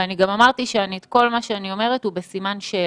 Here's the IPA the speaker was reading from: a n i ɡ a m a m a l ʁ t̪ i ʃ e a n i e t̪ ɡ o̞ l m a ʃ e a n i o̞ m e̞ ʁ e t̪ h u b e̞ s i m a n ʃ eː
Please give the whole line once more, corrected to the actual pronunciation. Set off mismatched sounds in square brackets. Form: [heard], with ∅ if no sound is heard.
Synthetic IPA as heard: a n i ɡ a m a m a [∅] ʁ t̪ i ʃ e a n i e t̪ [k] o̞ l m a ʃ e a n i o̞ m e̞ ʁ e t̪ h u b e̞ s i m a n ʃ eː